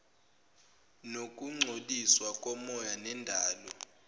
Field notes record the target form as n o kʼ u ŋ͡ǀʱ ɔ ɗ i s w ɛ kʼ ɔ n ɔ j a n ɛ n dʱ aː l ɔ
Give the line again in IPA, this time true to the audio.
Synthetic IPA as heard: n o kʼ u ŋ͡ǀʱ o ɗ i s w a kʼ ɔ m ɔ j a n ɛ n dʱ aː l ɔ